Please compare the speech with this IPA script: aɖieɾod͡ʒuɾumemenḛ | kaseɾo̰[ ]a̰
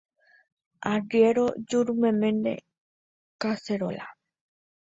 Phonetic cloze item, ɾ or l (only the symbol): l